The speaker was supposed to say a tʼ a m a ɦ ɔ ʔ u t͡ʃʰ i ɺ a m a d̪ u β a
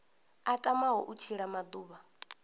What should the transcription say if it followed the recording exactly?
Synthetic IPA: a tʼ a m a ɦ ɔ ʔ u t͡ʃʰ i ɺ a m a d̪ uː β a